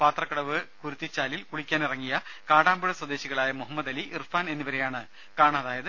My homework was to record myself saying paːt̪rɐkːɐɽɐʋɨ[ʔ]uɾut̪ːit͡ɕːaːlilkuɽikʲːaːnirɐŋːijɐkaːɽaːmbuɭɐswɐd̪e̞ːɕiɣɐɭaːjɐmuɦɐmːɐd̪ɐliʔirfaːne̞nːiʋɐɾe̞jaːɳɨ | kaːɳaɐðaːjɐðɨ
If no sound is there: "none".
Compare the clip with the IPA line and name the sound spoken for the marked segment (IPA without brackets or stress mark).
k